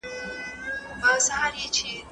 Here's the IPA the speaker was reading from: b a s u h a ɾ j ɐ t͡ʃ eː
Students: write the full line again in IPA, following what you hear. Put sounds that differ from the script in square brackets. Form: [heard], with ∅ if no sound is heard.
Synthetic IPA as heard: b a s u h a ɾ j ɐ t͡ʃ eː